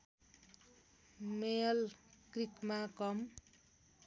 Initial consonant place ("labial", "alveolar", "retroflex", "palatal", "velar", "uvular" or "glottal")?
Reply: labial